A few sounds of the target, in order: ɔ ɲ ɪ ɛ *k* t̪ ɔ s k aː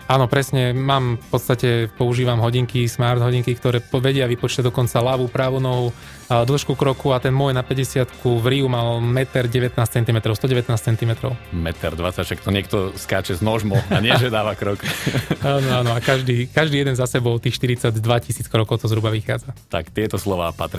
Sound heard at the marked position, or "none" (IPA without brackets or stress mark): k